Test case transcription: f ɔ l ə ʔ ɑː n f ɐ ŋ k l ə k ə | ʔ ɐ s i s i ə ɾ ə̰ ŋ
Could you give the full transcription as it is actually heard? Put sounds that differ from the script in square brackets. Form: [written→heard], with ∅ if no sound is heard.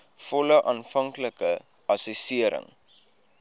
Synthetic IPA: f ɔ l ə ʔ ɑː n f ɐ ŋ k l ə k ə | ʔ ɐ s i s i ə ɾ ə̰ ŋ